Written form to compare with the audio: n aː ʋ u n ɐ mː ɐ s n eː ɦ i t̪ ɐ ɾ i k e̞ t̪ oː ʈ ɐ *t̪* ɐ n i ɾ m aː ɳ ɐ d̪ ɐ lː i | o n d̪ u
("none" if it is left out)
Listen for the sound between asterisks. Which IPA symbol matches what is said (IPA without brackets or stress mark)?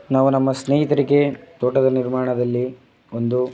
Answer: d̪